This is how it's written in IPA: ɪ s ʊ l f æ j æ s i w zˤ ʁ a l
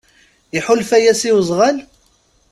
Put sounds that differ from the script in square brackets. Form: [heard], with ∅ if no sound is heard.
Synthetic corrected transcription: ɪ [ħ] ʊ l f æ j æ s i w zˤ ʁ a l